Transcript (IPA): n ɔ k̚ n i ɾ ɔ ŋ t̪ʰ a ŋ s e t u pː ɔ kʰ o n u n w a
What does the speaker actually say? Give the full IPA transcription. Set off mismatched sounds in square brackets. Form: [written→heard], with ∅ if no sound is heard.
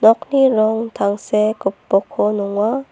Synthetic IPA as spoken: n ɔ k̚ n i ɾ ɔ ŋ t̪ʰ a ŋ s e [t→k] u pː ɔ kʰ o n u [n→ŋ] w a

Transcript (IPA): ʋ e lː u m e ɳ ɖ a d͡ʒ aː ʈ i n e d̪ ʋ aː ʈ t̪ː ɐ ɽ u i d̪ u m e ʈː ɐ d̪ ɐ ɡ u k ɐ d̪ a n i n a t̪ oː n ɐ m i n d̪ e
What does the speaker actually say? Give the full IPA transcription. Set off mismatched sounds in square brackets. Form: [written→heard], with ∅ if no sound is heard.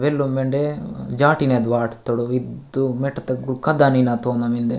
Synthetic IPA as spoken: ʋ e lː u m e ɳ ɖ [a→e] d͡ʒ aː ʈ i n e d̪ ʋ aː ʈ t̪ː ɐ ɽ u i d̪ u m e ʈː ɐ [d̪→t̪] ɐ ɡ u k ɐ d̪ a n i n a t̪ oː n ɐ m i n d̪ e

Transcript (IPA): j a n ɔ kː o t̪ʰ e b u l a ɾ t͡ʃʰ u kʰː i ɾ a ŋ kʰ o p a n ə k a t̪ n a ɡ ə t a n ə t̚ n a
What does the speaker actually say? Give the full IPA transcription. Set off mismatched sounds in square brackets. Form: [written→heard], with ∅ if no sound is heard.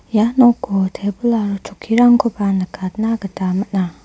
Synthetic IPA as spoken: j a n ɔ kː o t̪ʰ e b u l a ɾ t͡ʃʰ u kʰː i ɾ a ŋ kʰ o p a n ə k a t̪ n a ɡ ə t a [n→m] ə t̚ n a

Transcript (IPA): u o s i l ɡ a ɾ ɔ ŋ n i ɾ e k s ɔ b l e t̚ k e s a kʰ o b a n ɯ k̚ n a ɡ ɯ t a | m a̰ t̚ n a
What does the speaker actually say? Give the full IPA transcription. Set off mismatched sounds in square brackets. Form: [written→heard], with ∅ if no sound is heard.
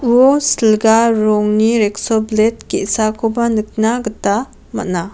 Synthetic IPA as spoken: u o s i l ɡ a ɾ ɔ ŋ n i ɾ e k s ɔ b l e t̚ k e s a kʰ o b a n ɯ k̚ n a ɡ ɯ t a | m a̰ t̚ n a

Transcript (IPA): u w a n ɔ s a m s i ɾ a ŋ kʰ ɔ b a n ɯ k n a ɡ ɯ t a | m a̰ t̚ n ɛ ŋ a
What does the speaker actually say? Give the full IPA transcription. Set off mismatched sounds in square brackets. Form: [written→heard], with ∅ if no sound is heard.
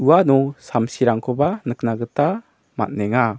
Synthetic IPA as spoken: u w a n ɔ s a m s i ɾ a ŋ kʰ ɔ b a n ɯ k n a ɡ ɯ t a | m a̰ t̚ n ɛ ŋ a

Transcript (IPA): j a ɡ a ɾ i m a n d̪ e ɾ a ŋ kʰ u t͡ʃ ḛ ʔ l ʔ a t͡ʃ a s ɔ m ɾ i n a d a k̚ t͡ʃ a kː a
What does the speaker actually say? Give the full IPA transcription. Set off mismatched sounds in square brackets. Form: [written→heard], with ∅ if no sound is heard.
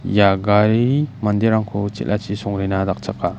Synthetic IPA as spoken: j a ɡ a ɾ i m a n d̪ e ɾ a ŋ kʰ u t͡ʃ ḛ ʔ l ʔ a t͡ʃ [a→i] s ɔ [m→ŋ] ɾ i n a d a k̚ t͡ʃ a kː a

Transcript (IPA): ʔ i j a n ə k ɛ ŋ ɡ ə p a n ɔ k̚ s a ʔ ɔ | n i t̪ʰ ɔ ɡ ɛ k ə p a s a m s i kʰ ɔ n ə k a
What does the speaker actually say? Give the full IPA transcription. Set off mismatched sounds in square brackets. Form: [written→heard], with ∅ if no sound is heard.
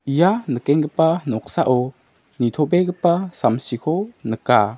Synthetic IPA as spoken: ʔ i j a n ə k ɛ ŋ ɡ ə p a n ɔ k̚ s a ʔ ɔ | n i t̪ʰ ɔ [ɡ→b] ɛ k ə p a s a m s i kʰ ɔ n ə k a

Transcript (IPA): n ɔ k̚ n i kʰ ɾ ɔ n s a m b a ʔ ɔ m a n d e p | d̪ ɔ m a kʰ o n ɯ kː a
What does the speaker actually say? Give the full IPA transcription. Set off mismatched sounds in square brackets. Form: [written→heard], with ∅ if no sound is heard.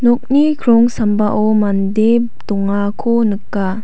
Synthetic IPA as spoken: n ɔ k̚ n i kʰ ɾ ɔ [n→ŋ] s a m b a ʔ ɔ m a n d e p | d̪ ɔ [m→ŋ] a kʰ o n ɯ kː a

